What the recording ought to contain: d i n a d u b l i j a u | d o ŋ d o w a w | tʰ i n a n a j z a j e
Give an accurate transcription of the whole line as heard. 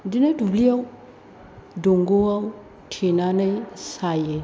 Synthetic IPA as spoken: d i n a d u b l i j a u | d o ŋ ɡ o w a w | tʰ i n a n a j s a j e